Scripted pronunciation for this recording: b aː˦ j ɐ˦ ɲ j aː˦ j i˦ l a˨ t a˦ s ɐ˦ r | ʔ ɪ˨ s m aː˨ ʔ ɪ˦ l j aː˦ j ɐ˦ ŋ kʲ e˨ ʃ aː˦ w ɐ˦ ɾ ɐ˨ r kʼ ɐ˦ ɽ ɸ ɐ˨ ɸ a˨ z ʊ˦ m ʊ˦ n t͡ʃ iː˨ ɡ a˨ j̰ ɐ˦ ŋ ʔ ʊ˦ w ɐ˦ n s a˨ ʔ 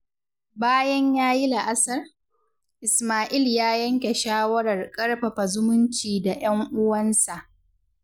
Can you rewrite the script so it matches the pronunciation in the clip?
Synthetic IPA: b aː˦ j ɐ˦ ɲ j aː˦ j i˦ l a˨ ʔ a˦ s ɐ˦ r | ʔ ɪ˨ s m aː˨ ʔ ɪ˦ l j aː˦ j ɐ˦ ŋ kʲ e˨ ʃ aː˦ w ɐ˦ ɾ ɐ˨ r kʼ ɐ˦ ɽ ɸ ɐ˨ ɸ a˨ z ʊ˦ m ʊ˦ n t͡ʃ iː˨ d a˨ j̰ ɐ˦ ŋ ʔ ʊ˦ w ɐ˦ n s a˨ ʔ